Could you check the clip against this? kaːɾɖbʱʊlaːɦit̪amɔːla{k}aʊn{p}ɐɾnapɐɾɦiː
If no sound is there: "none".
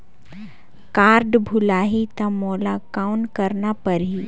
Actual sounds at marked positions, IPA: k, k

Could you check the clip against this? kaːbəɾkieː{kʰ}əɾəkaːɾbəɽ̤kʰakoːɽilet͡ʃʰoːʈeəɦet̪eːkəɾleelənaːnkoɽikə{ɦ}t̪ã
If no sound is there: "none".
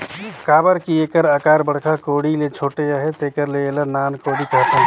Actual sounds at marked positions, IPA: k, ɦ

